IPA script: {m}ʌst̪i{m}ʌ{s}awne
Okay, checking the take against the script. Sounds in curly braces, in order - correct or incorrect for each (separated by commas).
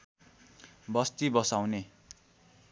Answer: incorrect, incorrect, correct